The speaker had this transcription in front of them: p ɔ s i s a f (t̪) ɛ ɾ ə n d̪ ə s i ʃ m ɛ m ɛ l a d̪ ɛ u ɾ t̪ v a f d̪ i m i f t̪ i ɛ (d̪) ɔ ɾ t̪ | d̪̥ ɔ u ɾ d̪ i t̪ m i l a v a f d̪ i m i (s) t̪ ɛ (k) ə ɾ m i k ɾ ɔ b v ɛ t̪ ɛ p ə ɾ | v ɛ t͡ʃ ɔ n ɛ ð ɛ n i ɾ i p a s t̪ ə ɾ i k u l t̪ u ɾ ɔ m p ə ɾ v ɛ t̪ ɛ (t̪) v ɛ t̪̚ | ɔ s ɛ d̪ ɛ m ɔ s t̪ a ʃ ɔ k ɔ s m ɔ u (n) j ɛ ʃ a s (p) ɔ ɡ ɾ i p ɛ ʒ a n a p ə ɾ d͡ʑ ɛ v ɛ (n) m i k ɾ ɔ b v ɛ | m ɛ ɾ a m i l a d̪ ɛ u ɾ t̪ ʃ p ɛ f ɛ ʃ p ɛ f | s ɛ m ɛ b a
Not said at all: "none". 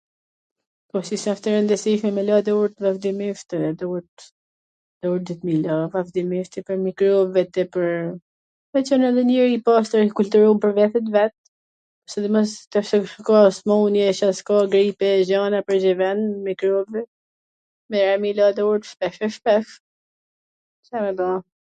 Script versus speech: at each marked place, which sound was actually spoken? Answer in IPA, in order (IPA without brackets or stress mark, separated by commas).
t̪, d̪, f, p, t̪, n, k, n